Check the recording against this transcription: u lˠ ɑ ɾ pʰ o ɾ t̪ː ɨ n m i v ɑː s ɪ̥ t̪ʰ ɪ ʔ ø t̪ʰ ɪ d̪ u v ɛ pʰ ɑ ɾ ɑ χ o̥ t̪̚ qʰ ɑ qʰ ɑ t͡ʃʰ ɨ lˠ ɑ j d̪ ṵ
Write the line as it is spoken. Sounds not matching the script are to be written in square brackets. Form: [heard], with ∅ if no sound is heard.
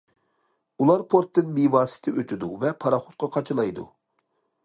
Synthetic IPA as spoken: u lˠ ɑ ɾ pʰ o ɾ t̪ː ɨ n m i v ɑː s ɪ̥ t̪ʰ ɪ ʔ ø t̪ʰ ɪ d̪ u v ɛ pʰ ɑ ɾ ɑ χ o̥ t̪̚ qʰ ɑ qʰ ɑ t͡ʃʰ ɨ lˠ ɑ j d̪ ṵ